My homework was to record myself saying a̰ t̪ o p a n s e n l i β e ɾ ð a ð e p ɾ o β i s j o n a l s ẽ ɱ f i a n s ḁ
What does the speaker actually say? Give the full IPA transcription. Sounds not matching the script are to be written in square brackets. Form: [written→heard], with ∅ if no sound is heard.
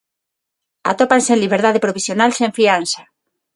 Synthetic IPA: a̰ t̪ o p a n s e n l i β e ɾ ð a ð e p ɾ o β i s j o n a l s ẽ ɱ f i a n s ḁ